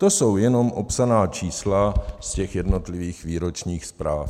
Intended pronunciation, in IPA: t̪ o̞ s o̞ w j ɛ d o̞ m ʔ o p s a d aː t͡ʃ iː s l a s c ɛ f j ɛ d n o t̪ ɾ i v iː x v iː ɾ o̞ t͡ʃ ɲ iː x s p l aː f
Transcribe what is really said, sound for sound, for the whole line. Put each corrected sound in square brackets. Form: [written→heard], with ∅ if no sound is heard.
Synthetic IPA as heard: t̪ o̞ s o̞ w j ɛ [d→n] o̞ m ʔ o p s a [d→n] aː t͡ʃ iː s l a s c ɛ [f→x] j ɛ d n o t̪ [ɾ→l] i v iː x v iː ɾ o̞ t͡ʃ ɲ iː x s p [l→ɾ] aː f